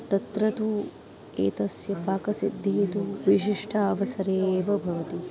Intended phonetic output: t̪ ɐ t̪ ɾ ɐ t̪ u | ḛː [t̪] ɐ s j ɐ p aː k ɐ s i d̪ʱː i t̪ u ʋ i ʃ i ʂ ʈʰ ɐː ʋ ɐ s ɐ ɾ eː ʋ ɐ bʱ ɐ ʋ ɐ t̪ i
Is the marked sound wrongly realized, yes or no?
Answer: no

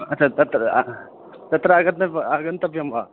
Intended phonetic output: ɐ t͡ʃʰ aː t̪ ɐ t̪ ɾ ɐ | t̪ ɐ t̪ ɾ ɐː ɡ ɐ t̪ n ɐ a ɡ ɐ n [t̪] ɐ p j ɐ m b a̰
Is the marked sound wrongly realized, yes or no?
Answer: no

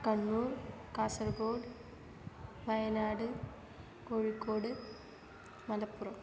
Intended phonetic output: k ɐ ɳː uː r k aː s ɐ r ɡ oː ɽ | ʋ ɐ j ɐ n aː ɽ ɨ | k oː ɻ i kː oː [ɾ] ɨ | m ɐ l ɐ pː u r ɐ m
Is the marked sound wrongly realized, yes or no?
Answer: yes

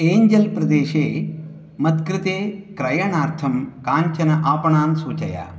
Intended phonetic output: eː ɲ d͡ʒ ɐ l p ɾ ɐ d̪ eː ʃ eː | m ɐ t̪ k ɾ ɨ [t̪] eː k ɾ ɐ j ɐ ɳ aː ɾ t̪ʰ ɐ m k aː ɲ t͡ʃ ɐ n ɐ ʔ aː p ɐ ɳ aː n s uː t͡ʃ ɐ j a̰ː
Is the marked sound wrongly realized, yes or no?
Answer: no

